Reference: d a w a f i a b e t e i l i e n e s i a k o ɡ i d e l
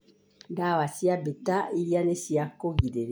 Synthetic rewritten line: d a w a s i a b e t a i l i a n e s i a k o ɡ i d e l